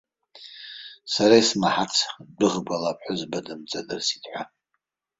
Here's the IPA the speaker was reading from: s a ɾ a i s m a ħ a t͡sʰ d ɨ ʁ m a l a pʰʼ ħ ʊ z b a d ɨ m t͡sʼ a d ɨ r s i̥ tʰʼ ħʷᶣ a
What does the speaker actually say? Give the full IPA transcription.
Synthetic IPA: s a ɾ a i s m a ħ a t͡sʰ d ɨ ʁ b a l a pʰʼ ħ ʊ z b a d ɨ m t͡sʼ a d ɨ r s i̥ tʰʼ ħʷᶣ a

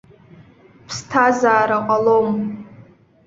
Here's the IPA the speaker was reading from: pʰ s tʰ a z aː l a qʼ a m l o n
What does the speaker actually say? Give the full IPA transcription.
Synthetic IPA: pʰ s tʰ a z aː ɾ a qʼ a l o m

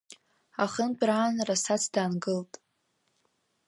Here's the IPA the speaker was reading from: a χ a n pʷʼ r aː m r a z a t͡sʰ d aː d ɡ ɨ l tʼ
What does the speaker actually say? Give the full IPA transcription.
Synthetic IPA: a χ ə n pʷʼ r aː n r a s a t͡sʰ d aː n ɡ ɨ l tʼ

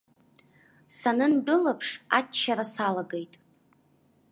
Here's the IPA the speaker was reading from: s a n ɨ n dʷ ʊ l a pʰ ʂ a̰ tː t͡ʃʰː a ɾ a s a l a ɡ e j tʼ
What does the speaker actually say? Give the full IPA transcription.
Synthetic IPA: s a n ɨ n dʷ ʊ l a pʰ ʂ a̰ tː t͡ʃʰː a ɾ a s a l a ɡ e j tʼ

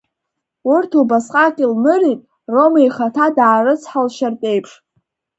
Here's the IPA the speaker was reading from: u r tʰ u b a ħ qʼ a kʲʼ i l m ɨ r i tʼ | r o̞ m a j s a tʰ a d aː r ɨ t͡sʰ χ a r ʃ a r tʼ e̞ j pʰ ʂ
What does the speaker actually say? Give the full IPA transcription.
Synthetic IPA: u r tʰ u b a s qʼ a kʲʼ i l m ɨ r i tʼ | r o̞ m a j χ a tʰ a d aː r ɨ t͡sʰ ħ a l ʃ a r tʼ e̞ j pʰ ʂ

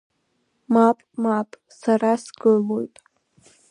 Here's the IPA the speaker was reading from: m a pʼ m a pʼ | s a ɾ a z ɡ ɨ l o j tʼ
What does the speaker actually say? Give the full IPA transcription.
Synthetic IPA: m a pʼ m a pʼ | s a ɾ a s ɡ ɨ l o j tʼ

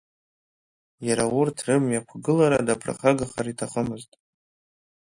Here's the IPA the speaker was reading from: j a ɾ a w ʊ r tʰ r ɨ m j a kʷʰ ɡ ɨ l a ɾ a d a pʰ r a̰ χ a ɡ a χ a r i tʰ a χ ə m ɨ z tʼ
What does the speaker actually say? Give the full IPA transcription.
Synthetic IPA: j a ɾ a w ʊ r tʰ r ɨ m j a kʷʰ ɡ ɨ l a ɾ a d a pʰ r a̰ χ a ɡ a χ a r i tʰ a χ ə m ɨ z tʼ

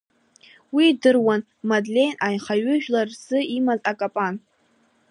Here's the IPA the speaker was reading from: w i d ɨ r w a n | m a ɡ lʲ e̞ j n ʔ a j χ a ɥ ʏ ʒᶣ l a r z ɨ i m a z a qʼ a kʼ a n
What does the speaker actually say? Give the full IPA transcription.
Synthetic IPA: w i d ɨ r w a n | m a d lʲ e̞ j n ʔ a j χ a ɥ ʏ ʒᶣ l a r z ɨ i m a z a kʼ a pʼ a n

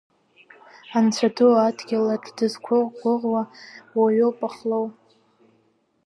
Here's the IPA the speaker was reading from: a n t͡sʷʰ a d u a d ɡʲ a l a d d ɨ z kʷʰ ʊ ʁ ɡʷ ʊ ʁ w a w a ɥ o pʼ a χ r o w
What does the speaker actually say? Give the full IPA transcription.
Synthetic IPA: a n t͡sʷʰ a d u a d ɡʲ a l a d d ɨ z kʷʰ ʊ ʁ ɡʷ ʊ ʁ w a w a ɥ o pʼ a χ l o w

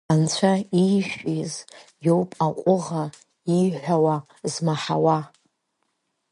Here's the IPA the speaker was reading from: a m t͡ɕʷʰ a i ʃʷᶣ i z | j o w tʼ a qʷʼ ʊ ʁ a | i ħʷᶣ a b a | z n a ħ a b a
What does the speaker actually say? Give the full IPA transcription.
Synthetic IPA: a n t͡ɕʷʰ a i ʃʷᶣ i z | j o w pʼ a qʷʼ ʊ ʁ a | i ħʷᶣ a w a | z m a ħ a w a

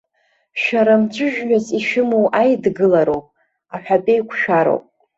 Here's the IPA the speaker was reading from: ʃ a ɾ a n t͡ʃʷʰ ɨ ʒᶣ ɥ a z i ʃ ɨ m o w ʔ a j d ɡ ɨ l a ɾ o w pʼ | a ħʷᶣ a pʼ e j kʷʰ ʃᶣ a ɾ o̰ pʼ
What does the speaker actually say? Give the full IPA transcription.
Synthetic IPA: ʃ a ɾ a m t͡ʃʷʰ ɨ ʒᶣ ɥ a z i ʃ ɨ m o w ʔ a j d ɡ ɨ l a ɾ o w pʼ | a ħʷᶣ a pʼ e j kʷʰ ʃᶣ a ɾ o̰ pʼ

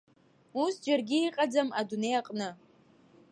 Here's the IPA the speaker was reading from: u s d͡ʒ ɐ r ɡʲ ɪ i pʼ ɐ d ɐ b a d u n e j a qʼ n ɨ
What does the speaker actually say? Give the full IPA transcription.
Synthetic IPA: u s d͡ʒ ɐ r ɡʲ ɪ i qʼ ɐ d͡z ɐ m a d u n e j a qʼ n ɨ

